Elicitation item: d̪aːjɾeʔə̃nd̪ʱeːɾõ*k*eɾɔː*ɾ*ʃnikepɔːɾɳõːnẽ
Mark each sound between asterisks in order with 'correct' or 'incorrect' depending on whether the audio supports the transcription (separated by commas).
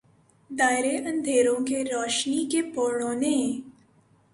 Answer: correct, incorrect